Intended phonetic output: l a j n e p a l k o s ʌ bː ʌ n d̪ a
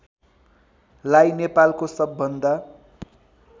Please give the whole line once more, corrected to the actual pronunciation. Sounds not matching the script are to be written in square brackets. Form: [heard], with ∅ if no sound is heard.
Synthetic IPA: l a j n e p a l k o s ʌ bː ʌ n d̪ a